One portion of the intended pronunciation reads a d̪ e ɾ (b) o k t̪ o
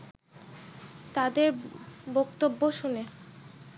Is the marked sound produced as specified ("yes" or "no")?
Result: yes